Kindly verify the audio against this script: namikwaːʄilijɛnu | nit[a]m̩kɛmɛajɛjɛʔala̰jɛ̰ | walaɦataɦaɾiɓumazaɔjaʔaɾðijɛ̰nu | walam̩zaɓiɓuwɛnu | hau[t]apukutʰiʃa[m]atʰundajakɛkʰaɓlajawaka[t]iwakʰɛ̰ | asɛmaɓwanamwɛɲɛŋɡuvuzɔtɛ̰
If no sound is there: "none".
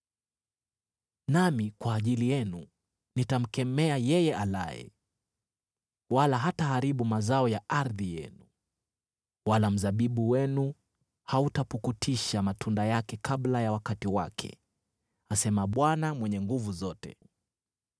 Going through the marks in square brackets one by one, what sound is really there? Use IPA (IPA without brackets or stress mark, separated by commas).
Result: a, t, m, t